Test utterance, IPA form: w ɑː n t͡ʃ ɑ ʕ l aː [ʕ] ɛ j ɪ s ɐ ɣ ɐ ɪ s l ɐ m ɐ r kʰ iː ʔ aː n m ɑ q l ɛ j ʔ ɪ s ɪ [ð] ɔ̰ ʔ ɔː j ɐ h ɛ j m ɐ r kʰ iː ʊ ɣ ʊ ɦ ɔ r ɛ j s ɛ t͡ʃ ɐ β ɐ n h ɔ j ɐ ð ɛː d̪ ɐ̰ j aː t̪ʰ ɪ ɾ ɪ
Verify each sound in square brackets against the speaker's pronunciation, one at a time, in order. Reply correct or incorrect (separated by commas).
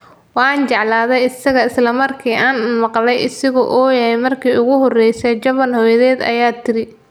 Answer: incorrect, incorrect